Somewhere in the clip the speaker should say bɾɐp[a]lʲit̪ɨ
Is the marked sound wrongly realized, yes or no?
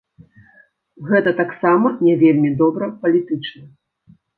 yes